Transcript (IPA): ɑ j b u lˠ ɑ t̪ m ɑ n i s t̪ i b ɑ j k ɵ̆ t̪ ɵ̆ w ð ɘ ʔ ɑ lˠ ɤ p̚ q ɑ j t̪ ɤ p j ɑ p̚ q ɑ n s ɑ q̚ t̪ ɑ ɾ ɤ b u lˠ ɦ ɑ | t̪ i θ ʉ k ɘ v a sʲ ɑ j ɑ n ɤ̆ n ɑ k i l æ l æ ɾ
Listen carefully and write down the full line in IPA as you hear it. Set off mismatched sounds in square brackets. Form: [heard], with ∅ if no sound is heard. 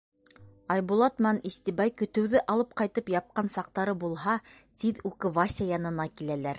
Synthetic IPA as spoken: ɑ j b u lˠ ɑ t̪ m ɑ n i s t̪ i b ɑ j k ɵ̆ t̪ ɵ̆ w ð ɘ ʔ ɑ lˠ ɤ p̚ q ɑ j t̪ ɤ p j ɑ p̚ q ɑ n s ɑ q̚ t̪ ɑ ɾ ɤ b u lˠ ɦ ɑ | t̪ i [ð] ʉ k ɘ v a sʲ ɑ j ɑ n ɤ̆ n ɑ k i l æ l æ ɾ